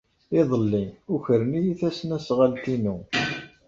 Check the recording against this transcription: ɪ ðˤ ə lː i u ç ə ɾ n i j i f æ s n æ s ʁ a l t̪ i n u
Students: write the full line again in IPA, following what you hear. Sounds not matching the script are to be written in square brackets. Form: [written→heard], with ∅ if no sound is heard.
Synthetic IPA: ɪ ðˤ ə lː i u ç ə ɾ n i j i [f→θ] æ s n æ s ʁ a l t̪ i n u